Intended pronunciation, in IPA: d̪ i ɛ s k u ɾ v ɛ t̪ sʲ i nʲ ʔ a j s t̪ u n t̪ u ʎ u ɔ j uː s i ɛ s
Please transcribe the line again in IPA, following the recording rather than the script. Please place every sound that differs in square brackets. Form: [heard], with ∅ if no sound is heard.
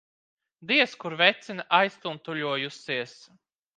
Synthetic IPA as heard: d̪ i ɛ s k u ɾ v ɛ t̪ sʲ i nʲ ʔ a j s t̪ u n t̪ u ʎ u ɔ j [u] s i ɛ s